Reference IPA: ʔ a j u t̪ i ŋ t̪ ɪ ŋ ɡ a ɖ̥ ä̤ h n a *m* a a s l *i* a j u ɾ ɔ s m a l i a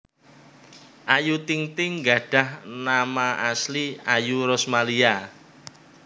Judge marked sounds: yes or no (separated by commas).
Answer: yes, yes